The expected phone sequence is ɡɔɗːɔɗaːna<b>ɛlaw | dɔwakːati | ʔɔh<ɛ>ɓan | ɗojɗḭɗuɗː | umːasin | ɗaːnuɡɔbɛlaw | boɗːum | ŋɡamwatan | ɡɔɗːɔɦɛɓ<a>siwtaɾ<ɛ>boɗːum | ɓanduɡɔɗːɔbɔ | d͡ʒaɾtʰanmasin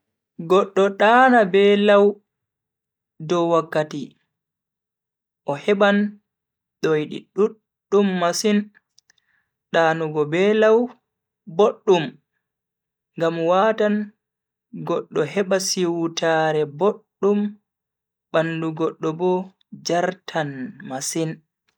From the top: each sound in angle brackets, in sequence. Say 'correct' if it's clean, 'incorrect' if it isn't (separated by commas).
correct, correct, correct, correct